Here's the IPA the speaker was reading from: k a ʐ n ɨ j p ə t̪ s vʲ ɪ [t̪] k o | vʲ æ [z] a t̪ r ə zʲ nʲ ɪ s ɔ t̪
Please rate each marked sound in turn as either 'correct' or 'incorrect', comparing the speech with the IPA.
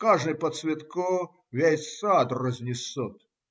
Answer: correct, incorrect

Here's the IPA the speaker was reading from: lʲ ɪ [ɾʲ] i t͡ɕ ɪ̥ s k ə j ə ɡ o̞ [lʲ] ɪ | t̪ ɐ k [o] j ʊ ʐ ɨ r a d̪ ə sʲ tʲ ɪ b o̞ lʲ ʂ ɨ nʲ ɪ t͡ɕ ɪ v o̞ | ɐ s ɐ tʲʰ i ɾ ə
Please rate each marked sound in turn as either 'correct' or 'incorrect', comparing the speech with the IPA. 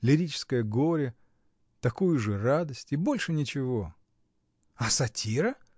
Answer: correct, incorrect, incorrect

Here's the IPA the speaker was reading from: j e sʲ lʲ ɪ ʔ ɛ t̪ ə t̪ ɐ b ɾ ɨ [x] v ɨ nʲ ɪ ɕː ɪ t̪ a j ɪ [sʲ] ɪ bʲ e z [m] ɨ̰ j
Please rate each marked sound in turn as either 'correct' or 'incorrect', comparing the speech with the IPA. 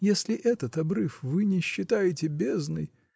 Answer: incorrect, incorrect, incorrect

